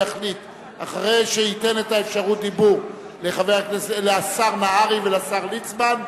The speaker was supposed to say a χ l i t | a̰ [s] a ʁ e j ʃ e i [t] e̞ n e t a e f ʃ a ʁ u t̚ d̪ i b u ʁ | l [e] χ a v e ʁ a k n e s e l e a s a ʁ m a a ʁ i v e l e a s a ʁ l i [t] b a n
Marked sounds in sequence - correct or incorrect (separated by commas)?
incorrect, correct, correct, incorrect